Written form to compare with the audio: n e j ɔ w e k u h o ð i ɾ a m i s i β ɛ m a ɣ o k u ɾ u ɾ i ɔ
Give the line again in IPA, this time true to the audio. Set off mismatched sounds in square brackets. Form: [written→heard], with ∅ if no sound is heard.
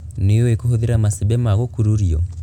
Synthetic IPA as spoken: n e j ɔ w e k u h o ð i ɾ a m [i→a] s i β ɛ m a ɣ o k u ɾ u ɾ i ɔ